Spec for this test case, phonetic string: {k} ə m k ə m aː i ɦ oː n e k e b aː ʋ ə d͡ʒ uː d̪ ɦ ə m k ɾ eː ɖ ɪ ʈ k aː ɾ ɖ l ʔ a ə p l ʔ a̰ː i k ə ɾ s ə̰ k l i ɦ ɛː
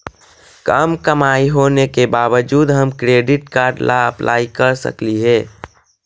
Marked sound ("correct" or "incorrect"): correct